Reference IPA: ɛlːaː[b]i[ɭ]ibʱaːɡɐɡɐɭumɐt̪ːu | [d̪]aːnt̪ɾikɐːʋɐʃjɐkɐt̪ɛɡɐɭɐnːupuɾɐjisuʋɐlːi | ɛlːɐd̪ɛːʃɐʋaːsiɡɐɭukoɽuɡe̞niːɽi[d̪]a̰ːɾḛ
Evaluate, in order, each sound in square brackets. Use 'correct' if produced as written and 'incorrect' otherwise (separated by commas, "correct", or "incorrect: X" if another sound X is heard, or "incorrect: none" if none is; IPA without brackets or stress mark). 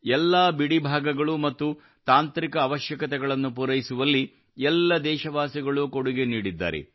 correct, incorrect: ɽ, incorrect: t̪, incorrect: d̪ː